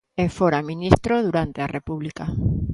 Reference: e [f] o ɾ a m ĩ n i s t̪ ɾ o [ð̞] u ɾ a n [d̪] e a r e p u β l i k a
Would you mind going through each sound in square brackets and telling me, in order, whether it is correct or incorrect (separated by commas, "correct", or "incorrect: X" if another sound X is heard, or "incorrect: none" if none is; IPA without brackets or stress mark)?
correct, correct, incorrect: t̪